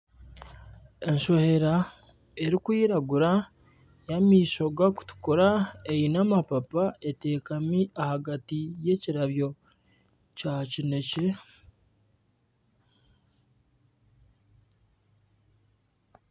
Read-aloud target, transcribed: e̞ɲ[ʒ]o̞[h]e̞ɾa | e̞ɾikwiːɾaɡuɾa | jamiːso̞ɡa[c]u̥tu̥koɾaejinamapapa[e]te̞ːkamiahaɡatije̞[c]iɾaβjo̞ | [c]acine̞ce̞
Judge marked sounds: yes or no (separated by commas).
no, yes, no, yes, yes, yes